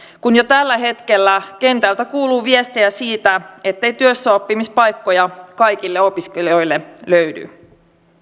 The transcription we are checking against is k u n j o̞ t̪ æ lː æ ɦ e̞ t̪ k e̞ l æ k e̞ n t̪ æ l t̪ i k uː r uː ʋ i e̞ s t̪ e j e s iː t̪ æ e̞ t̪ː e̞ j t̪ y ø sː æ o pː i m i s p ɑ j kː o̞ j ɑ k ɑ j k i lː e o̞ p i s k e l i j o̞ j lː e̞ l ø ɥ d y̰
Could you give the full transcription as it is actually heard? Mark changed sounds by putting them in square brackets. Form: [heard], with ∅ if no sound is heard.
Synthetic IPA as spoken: k u n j o̞ t̪ æ lː æ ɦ e̞ t̪ k e̞ [lː] æ k e̞ n t̪ æ l t̪ [æ] k uː [l] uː ʋ i e̞ s t̪ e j [æ] s iː t̪ æ e̞ t̪ː e̞ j t̪ y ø sː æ o pː i m i s p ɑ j kː o̞ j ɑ k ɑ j k i lː e o̞ p i s k e l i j o̞ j lː e̞ l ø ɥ d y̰